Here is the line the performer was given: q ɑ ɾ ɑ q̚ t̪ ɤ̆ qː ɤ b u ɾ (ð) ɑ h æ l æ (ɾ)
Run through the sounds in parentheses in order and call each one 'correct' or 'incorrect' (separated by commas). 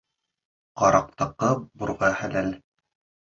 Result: incorrect, incorrect